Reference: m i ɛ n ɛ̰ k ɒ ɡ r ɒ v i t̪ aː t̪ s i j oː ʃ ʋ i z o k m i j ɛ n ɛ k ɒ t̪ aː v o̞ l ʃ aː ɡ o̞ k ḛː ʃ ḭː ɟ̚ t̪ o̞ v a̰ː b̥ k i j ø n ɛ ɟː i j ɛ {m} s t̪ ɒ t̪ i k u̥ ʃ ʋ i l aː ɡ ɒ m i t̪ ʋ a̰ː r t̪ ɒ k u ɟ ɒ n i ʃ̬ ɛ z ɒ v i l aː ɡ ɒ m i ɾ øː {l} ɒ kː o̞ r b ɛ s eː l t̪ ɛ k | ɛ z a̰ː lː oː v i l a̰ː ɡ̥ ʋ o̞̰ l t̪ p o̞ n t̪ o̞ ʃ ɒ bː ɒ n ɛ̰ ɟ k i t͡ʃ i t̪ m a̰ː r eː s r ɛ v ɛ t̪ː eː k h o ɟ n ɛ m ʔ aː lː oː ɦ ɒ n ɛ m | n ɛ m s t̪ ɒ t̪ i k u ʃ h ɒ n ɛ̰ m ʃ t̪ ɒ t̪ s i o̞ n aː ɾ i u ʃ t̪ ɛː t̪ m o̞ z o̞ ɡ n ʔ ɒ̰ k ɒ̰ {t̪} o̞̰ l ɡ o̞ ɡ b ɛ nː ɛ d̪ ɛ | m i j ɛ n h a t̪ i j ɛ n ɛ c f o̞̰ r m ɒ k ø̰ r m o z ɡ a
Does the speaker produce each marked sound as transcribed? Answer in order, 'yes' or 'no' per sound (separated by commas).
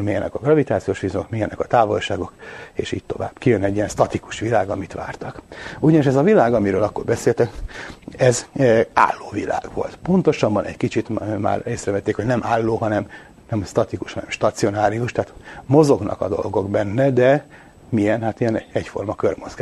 no, yes, no